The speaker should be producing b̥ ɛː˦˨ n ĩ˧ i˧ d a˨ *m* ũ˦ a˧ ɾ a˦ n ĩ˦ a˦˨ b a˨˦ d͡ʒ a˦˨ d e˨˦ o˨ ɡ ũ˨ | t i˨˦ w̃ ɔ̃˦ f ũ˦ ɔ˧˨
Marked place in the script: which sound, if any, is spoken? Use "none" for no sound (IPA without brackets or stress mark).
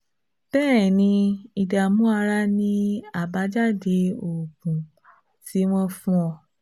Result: m